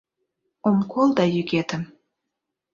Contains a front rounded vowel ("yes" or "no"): yes